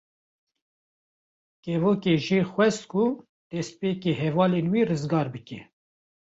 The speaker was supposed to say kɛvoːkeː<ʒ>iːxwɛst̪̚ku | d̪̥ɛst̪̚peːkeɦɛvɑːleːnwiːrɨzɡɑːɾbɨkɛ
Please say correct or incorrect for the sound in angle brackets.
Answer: correct